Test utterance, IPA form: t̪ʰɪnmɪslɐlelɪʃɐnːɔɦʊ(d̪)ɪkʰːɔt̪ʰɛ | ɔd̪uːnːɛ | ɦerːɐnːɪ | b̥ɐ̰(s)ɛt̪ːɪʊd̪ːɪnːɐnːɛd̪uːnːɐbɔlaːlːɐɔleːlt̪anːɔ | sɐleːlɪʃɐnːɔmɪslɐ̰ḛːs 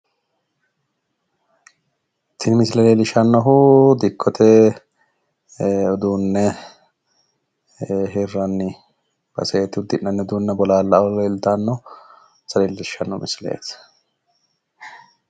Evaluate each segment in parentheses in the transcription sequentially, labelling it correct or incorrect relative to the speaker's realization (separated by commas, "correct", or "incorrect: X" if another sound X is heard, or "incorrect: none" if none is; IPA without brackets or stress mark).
correct, correct